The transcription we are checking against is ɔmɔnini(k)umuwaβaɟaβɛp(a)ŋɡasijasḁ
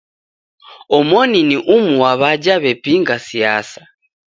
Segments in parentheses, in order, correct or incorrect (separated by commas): incorrect, incorrect